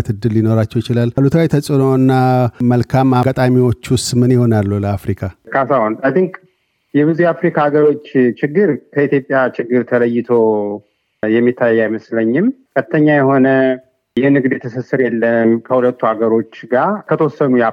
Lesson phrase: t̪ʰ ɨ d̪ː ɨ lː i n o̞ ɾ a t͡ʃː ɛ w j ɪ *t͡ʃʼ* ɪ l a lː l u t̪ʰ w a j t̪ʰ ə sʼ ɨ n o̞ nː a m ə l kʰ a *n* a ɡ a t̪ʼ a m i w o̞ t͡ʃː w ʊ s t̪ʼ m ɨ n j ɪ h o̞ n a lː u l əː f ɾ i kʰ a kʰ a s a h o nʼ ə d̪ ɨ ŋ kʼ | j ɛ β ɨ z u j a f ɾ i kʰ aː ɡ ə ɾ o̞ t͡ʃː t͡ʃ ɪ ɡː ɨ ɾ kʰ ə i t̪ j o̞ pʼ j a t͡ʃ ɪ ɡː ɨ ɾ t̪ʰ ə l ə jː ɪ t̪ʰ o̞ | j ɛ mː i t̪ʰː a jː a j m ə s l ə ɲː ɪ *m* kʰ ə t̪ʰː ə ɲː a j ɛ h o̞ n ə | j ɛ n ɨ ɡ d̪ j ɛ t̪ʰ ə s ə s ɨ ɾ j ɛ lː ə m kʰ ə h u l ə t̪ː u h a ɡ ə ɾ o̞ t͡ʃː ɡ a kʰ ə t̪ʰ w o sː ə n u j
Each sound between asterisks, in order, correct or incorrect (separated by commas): incorrect, incorrect, correct